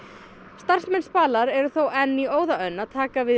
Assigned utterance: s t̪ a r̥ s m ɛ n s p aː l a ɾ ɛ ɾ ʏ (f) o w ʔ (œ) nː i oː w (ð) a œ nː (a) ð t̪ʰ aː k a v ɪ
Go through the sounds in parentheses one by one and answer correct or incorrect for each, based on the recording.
incorrect, incorrect, correct, correct

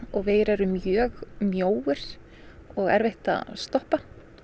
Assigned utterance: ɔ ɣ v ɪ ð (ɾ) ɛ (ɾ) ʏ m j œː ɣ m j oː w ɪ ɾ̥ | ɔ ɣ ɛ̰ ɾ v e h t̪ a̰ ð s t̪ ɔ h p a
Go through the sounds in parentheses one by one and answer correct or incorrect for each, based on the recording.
correct, correct

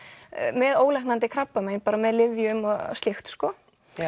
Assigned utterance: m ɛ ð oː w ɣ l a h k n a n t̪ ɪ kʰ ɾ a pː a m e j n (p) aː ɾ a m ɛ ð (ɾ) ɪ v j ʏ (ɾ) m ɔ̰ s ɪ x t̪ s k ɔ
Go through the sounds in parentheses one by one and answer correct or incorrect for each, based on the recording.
correct, incorrect, incorrect

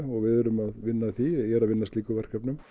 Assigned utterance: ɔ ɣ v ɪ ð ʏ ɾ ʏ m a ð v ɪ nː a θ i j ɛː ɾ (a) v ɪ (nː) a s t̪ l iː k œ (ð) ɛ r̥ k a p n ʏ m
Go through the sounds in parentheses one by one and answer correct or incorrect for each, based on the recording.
correct, correct, incorrect

